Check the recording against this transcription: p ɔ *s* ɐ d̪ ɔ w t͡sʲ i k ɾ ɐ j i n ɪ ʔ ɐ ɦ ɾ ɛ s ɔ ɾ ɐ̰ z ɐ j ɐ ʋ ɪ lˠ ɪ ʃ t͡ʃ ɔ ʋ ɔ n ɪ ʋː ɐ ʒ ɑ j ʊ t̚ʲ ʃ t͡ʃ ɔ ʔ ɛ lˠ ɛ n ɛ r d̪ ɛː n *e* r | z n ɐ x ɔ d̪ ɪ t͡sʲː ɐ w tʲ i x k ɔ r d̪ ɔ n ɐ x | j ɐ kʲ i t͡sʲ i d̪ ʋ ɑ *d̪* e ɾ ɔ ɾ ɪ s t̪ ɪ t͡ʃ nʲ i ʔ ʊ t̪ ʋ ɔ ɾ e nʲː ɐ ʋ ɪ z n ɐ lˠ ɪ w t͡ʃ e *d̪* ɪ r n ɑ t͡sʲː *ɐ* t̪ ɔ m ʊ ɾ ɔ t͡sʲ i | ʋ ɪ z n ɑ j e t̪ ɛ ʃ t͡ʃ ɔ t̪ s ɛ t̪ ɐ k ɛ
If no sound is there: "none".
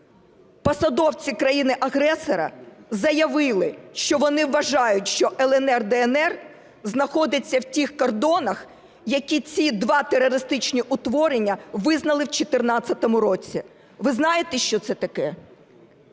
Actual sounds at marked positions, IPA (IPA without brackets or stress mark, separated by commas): s, ɛ, t̪, t̪, ɐ